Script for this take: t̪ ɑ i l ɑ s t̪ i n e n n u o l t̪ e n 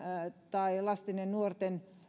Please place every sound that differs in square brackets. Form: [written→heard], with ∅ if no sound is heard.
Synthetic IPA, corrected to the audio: t̪ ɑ i l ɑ s t̪ i n e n n u o [l→r] t̪ e n